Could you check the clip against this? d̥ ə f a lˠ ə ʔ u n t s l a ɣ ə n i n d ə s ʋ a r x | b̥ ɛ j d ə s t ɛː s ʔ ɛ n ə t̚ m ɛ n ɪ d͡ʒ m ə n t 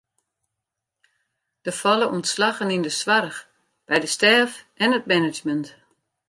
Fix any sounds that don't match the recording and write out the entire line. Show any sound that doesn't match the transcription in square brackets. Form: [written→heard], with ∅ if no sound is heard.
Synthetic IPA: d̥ ə f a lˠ ə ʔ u n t s l a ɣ ə n i n d ə s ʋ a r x | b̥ ɛ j d ə s t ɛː [s→f] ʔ ɛ n ə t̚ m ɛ n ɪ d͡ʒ m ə n t